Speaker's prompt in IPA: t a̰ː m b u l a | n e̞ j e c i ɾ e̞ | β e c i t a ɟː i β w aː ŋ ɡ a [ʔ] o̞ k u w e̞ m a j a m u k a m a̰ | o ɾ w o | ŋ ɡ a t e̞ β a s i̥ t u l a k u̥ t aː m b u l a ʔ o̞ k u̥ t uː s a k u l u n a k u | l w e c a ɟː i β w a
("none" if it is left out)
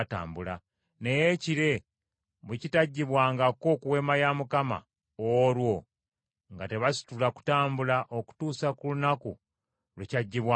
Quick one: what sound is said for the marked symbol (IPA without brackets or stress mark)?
k